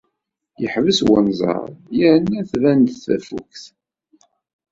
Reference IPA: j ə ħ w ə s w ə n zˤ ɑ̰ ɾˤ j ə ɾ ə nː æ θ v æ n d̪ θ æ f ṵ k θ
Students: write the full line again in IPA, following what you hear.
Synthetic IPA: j ə ħ v ə s w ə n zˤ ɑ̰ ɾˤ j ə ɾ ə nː æ θ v æ n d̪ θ æ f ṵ k θ